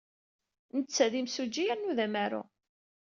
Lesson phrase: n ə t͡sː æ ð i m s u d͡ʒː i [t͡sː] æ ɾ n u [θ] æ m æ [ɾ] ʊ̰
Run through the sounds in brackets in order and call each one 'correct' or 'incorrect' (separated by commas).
incorrect, incorrect, correct